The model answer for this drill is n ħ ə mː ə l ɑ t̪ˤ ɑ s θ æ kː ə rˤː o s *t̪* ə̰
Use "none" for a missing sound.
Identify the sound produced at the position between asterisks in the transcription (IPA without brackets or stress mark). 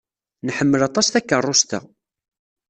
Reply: t̪